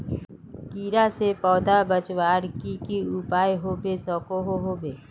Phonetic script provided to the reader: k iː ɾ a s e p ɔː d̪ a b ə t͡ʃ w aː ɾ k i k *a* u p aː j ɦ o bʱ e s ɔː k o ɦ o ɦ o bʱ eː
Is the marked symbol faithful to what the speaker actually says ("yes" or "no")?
no